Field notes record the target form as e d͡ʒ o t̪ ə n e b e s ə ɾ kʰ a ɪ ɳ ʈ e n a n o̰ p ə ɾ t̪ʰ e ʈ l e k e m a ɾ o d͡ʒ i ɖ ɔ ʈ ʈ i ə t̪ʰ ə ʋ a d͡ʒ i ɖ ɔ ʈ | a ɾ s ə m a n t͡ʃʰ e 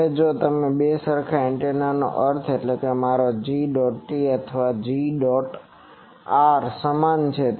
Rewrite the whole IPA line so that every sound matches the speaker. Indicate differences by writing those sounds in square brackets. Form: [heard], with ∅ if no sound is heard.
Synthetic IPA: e d͡ʒ o t̪ ə [m] e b e s ə ɾ kʰ a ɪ ɳ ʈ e n a n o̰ [ʔ] ə ɾ t̪ʰ e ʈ l e k e m a ɾ o d͡ʒ i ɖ ɔ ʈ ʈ i ə t̪ʰ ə ʋ a d͡ʒ i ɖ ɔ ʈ | a ɾ s ə m a n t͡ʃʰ e